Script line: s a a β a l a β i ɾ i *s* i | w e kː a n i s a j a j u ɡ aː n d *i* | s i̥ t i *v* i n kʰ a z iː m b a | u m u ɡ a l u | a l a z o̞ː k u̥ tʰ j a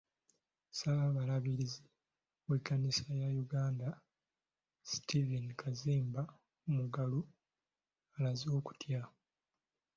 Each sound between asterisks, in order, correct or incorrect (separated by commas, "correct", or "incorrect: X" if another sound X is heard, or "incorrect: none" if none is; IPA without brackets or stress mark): incorrect: z, incorrect: a, correct